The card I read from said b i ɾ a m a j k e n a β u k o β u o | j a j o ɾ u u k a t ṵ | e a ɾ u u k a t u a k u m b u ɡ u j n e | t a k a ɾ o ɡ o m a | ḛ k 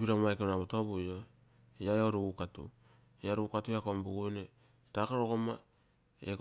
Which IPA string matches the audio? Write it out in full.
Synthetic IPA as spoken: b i ɾ a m a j k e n a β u t o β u o | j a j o ɾ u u k a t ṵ | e a ɾ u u k a t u a k o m b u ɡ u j n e | t a k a ɾ o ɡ o m a | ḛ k